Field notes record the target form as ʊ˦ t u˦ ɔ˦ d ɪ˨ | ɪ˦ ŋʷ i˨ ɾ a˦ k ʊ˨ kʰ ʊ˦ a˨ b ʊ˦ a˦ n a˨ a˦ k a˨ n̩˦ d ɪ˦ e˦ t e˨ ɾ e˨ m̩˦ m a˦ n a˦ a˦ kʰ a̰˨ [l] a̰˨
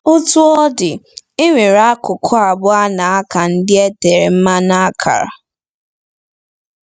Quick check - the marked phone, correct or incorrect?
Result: incorrect